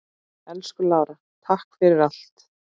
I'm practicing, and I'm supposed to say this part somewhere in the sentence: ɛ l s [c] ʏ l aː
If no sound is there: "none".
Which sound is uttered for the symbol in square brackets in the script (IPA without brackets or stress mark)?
k